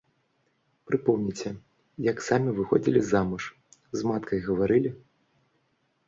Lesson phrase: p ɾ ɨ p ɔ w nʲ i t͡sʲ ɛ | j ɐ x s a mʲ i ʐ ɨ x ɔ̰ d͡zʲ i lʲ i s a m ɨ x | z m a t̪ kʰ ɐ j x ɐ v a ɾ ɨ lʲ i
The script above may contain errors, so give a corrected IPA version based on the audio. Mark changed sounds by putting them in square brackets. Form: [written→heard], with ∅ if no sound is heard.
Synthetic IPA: p ɾ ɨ p ɔ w nʲ i t͡sʲ ɛ | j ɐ [x→k] s a mʲ i [ʐ→v] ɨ x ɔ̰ d͡zʲ i lʲ i [s→z] a m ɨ [x→ʂ] | z m a t̪ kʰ ɐ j [x→ɣ] ɐ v a ɾ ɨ lʲ i